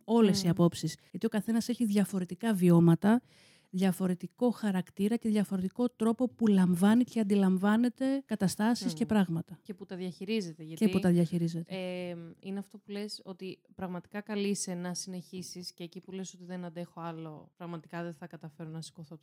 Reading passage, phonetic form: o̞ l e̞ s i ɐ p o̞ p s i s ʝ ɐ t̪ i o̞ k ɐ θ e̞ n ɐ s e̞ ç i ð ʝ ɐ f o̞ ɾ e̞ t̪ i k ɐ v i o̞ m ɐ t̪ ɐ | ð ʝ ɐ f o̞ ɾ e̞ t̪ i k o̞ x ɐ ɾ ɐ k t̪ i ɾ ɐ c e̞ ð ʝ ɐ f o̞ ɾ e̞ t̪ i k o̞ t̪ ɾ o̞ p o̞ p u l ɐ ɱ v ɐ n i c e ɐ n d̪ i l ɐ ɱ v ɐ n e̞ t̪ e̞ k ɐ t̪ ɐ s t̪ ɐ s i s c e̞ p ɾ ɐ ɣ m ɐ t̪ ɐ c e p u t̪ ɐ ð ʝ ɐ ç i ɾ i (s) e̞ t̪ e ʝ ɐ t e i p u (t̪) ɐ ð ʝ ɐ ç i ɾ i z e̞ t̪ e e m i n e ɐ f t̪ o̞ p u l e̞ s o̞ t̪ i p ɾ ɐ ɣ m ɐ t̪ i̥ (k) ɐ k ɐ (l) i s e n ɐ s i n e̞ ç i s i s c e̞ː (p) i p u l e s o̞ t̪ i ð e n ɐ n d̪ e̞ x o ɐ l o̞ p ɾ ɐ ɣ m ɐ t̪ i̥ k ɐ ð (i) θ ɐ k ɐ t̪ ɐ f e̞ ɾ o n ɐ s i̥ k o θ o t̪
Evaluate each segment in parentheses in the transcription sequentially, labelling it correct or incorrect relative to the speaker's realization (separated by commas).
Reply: incorrect, correct, correct, correct, incorrect, incorrect